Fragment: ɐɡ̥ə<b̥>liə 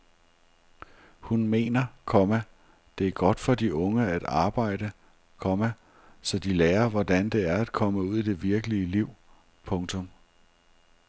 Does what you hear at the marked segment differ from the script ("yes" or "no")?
yes